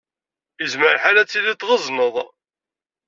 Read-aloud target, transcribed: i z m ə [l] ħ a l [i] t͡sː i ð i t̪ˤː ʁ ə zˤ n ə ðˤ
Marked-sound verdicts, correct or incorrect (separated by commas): incorrect, incorrect